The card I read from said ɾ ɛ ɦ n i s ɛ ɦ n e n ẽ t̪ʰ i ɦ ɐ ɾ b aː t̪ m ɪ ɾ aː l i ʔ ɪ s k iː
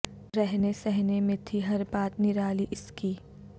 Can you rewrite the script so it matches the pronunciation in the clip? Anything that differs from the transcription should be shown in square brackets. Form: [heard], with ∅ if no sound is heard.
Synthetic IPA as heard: ɾ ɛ ɦ n [e] s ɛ ɦ n e [m] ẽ t̪ʰ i ɦ ɐ ɾ b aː t̪ [n] ɪ ɾ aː l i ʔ ɪ s k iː